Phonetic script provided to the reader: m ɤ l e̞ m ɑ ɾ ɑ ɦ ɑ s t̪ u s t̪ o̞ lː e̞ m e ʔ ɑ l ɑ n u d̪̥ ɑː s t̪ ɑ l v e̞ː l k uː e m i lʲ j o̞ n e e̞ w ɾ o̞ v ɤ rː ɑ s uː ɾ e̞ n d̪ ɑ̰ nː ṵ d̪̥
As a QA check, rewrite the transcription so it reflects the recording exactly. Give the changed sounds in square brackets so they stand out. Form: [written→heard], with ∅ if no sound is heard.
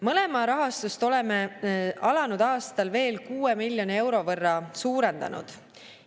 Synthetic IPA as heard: m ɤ l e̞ m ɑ ɾ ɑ ɦ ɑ s t̪ u s t̪ o̞ [lː→l] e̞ m e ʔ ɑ l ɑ n u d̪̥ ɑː s t̪ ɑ l v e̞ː l k uː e m i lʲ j o̞ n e e̞ w ɾ o̞ v ɤ rː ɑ s uː ɾ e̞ n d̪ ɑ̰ [nː→n] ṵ d̪̥